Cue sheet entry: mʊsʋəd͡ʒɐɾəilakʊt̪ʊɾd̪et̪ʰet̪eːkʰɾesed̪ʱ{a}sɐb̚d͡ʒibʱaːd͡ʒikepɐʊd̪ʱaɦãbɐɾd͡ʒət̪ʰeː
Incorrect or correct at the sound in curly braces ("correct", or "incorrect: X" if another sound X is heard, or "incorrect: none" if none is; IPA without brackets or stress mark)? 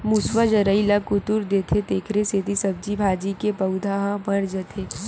incorrect: i